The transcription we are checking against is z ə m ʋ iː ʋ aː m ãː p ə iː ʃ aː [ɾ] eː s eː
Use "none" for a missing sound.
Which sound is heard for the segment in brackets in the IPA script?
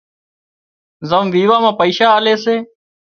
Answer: l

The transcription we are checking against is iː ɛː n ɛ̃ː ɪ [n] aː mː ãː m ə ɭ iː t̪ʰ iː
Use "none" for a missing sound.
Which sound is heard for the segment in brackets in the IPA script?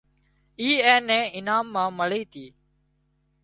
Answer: n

